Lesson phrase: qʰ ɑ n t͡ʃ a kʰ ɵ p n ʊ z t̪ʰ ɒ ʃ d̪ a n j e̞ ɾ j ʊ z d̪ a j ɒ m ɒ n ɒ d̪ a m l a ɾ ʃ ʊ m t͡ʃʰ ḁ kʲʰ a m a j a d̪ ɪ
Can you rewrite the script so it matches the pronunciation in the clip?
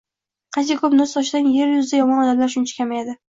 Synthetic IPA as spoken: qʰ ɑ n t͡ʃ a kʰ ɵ p n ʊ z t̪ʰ ɒ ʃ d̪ a n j e̞ ɾ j ʊ z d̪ a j ɒ m ɒ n ɒ d̪ a m l a ɾ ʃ ʊ n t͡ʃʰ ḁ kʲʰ a m a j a d̪ ɪ